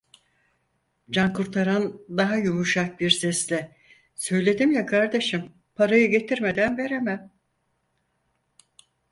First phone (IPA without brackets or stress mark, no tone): d͡ʒ